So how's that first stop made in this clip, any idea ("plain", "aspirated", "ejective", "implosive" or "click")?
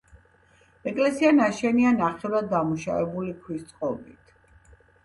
ejective